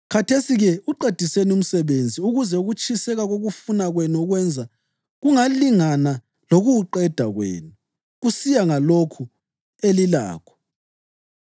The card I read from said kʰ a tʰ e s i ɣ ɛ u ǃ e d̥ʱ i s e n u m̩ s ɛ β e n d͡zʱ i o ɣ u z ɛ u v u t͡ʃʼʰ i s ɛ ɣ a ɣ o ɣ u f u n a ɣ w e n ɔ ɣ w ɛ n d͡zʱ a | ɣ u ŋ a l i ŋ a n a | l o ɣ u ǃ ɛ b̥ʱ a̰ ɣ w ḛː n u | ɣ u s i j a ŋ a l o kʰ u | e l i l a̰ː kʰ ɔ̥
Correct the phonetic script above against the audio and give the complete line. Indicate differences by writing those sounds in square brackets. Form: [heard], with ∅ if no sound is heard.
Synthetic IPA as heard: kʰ a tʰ e s i ɣ ɛ u ǃ e d̥ʱ i s e n u m̩ s ɛ β e n d͡zʱ i [u] ɣ u z ɛ u [ɣ] u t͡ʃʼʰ i s ɛ ɣ a ɣ o ɣ u f u n a ɣ w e n ɔ ɣ w ɛ n d͡zʱ a | ɣ u ŋ a l i ŋ a n a | l o ɣ u ǃ ɛ [d̥ʱ] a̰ ɣ w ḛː n u | ɣ u s i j a ŋ a l o kʰ u | e l i l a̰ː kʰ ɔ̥